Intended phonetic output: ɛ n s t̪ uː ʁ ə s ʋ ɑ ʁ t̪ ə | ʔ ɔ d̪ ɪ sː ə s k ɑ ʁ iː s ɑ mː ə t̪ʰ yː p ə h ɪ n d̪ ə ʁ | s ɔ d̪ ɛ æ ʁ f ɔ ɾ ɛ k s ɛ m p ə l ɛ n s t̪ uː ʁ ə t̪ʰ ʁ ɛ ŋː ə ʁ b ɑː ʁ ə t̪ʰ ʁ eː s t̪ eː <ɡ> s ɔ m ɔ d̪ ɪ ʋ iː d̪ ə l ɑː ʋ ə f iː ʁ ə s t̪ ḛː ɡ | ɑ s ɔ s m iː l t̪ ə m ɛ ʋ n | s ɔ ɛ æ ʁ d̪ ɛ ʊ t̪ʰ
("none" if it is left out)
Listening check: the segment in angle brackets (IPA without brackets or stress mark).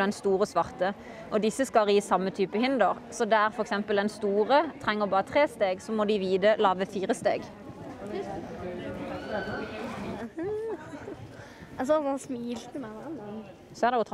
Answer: ɡ